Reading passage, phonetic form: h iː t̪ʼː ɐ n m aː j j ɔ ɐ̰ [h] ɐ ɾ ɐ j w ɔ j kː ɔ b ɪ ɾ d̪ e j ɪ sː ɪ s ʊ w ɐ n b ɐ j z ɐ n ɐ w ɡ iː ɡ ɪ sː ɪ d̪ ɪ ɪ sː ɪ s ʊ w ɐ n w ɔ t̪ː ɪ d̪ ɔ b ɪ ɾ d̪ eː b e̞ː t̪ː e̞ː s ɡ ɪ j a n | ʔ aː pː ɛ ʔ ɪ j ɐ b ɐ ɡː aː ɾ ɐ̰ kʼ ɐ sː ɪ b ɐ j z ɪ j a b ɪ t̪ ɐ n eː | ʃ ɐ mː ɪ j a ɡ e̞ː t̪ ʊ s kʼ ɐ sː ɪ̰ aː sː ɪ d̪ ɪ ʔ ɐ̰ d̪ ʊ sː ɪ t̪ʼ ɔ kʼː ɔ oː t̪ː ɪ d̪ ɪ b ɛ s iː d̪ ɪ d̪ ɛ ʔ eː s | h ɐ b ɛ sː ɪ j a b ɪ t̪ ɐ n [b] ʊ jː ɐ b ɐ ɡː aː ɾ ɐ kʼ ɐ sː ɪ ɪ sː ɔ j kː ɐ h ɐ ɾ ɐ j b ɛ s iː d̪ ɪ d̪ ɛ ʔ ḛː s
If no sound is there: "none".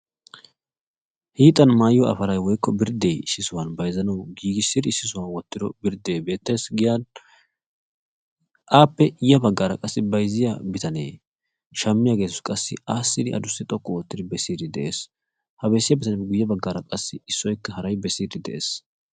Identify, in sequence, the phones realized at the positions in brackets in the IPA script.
f, ɡ

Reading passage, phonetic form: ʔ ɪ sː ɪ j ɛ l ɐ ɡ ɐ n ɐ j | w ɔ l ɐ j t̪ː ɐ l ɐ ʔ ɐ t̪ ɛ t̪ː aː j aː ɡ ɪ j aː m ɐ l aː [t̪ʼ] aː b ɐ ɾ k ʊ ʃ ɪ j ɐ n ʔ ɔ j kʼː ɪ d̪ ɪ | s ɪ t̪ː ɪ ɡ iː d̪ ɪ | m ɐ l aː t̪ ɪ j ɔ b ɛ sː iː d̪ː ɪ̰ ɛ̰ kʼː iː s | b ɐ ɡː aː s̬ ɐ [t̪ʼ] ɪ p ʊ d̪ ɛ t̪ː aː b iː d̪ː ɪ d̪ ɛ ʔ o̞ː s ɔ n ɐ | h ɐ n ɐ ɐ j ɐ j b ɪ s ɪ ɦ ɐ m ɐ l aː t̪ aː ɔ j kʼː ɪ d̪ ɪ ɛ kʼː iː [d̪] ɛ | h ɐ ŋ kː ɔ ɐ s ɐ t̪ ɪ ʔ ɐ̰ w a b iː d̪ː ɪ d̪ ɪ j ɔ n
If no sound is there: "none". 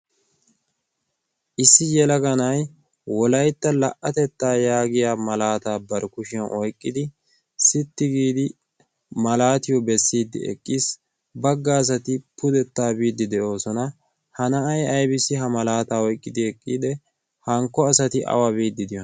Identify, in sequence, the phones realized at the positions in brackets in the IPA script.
t̪, t̪, d̪

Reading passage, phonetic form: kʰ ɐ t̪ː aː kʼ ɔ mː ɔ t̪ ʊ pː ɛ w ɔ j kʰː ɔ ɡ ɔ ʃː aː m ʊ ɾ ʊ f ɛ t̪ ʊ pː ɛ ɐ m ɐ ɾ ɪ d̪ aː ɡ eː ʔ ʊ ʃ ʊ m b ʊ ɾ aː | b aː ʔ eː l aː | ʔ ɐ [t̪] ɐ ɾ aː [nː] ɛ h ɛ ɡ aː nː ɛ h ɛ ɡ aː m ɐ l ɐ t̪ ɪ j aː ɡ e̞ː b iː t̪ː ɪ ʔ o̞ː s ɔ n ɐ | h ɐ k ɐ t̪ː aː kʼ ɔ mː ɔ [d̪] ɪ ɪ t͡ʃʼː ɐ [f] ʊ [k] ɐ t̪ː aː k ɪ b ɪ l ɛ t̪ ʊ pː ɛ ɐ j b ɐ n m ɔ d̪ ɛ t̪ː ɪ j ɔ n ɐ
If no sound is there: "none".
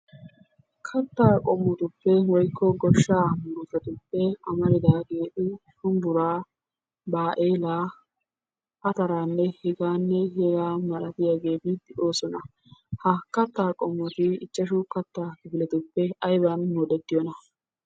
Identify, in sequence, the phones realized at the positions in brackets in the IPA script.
t̪, nː, t̪, ʃ, k

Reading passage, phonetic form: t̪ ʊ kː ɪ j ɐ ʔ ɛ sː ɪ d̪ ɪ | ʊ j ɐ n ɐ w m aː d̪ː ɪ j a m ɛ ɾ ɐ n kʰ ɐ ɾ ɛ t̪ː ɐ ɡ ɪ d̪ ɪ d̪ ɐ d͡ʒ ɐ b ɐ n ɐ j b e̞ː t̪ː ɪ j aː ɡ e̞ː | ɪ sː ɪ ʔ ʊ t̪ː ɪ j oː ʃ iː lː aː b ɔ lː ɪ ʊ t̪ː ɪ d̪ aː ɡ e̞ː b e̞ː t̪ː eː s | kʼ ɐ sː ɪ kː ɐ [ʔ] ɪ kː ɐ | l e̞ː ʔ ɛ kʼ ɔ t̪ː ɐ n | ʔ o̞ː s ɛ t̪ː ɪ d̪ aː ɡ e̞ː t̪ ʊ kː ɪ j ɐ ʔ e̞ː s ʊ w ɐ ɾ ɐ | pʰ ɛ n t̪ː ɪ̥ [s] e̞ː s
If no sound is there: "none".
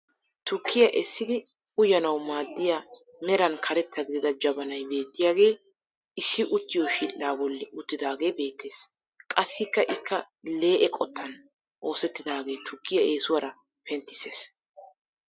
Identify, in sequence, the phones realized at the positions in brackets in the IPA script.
ʔ, s

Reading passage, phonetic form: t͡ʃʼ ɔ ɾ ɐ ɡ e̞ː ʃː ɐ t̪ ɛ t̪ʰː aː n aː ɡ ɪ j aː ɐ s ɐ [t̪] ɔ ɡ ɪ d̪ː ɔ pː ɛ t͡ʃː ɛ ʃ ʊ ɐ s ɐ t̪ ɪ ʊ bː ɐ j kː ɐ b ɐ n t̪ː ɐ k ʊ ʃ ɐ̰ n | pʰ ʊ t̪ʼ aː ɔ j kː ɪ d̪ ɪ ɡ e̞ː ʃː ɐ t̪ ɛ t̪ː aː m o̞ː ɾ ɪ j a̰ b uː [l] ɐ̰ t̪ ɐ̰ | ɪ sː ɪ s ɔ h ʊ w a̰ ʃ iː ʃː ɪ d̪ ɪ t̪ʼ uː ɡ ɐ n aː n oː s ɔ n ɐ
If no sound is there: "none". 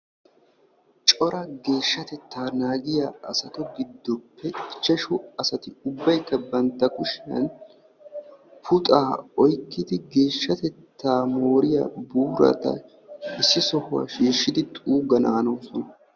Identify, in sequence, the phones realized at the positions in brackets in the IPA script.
t̪, ɾ

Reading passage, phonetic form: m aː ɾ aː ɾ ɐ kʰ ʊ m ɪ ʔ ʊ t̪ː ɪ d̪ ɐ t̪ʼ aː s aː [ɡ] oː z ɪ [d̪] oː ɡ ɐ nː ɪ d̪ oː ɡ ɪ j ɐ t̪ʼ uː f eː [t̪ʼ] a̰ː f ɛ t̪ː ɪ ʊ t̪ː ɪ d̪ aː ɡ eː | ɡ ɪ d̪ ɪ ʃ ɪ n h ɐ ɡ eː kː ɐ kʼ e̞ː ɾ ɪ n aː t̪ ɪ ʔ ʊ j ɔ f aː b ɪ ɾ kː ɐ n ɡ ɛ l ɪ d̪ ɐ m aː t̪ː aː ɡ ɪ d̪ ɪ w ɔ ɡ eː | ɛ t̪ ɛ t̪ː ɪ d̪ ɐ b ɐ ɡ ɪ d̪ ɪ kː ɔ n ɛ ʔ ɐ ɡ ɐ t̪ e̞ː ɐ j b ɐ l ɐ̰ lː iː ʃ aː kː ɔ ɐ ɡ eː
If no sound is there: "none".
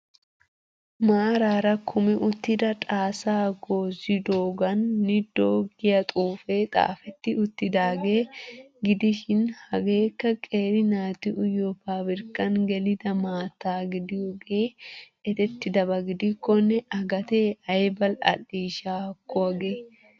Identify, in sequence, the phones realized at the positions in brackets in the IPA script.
ɡ, d̪, t̪ʼ

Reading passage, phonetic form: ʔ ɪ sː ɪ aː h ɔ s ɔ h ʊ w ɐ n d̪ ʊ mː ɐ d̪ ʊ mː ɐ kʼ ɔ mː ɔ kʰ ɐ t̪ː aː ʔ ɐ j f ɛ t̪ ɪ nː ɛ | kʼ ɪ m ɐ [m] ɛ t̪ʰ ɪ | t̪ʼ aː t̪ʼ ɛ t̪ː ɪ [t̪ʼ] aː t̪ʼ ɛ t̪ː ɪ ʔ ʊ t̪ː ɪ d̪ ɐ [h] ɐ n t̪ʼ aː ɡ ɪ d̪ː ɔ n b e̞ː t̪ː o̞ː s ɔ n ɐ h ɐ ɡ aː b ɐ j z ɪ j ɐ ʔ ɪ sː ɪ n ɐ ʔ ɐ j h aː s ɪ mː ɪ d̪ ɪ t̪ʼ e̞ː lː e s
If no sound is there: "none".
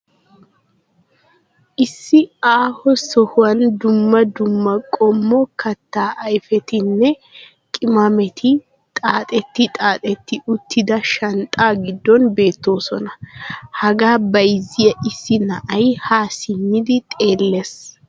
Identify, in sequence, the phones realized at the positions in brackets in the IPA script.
m, t̪ʼ, ʃ

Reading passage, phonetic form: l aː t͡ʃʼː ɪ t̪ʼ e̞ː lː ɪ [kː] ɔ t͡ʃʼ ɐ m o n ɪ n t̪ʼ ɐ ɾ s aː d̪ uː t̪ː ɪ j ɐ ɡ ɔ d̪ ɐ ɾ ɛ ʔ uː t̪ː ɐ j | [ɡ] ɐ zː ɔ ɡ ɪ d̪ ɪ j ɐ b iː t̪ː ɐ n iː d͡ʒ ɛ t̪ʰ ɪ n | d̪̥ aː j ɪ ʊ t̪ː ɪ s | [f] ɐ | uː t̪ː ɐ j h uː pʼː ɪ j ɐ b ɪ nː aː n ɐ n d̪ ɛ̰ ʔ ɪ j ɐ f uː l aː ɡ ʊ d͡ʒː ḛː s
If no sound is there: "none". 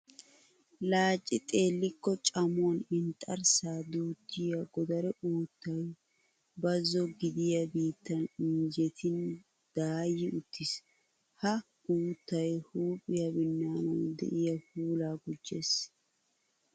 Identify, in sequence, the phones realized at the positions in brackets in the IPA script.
kː, b, h

